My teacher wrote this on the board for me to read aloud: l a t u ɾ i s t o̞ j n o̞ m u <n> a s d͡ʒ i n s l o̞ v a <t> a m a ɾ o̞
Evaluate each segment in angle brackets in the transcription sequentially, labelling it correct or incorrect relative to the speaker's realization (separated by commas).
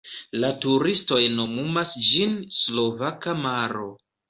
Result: incorrect, incorrect